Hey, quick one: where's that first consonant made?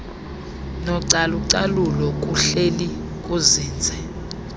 tongue tip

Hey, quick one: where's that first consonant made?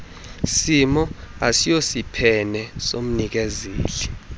tongue tip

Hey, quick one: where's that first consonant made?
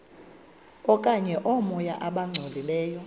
velum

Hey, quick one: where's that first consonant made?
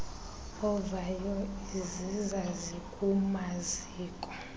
lips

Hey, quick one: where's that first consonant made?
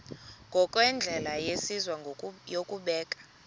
velum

